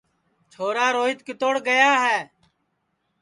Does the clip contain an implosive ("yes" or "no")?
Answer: no